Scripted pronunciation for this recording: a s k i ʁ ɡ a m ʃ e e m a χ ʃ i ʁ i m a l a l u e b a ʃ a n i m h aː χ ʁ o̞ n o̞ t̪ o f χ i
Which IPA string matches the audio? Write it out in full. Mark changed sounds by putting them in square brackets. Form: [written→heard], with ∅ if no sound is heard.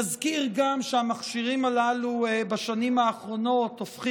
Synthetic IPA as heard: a [s→z] k i ʁ ɡ a m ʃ e [e→a] m a χ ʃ i ʁ i m a l a l u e b a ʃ a n i m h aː χ ʁ o̞ n o̞ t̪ o f χ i